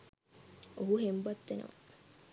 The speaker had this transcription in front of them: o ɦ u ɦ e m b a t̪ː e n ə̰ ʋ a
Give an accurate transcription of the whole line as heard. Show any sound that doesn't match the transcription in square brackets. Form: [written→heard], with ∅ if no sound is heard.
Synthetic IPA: o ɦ u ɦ e m b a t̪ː e n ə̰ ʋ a